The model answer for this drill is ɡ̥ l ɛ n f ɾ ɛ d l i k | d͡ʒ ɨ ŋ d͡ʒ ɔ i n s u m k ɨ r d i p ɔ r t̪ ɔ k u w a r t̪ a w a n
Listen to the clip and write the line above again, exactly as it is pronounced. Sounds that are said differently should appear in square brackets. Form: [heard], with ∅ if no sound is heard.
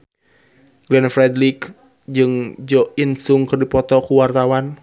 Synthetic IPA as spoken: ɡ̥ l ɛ n f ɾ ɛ d l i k | d͡ʒ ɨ ŋ d͡ʒ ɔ i n s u [ŋ] k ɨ r d i p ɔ [∅] t̪ ɔ k u w a r t̪ a w a n

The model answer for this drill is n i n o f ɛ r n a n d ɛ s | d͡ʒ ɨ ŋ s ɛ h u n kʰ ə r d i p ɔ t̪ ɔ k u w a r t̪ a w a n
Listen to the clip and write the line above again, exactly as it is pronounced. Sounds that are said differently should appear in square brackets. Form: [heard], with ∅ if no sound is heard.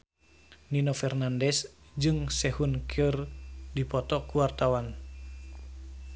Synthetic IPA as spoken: n i n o f ɛ r n a n d ɛ s | d͡ʒ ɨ ŋ s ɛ h u n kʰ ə r d i p ɔ t̪ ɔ k u w a r t̪ a w a n

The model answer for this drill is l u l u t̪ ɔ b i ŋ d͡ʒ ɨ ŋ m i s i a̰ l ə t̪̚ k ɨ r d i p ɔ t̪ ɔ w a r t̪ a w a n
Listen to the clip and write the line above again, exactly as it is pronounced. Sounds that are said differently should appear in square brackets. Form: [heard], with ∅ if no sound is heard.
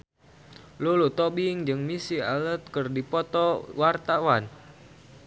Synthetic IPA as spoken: l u l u t̪ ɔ b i ŋ d͡ʒ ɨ ŋ m i s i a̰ l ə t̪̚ k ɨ r d i p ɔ t̪ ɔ w a r t̪ a w a n

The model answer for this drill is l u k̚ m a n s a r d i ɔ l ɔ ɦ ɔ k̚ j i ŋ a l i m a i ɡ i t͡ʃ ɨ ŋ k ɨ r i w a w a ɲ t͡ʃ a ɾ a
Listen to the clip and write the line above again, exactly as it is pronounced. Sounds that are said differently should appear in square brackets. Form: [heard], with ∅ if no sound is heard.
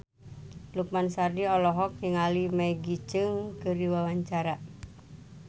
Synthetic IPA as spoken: l u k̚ m a n s a r d i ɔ l ɔ ɦ ɔ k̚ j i ŋ a l i m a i ɡ i t͡ʃ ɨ ŋ k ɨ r i w a w a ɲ t͡ʃ a ɾ a

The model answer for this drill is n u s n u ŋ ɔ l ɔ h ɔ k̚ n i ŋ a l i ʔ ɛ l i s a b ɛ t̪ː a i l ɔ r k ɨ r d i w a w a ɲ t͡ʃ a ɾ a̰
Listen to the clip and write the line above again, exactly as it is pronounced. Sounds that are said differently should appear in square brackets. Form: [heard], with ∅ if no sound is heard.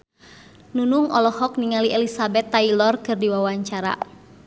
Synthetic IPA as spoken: n u [∅] n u ŋ ɔ l ɔ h ɔ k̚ n i ŋ a l i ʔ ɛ l i s a b ɛ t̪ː a i l ɔ r k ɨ r d i w a w a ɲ t͡ʃ a ɾ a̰

